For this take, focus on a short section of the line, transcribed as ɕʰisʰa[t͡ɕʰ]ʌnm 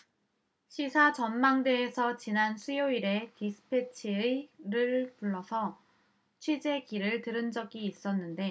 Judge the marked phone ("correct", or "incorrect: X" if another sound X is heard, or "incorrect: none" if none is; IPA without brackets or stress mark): incorrect: t͡ɕ